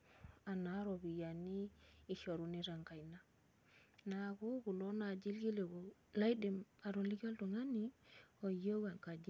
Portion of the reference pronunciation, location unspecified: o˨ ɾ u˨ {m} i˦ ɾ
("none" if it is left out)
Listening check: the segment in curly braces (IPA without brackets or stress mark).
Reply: n